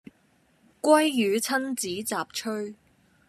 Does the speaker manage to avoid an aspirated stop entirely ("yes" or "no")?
no